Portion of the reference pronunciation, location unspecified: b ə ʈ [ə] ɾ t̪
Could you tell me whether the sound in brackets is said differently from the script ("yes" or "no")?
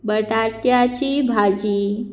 yes